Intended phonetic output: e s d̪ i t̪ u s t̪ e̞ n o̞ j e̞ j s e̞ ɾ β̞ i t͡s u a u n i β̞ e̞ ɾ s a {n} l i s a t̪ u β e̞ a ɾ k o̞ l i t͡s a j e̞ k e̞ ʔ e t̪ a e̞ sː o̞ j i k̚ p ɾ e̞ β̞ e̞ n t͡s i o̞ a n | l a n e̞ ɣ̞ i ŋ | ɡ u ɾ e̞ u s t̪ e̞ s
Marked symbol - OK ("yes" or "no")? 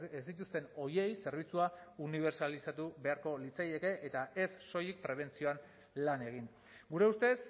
no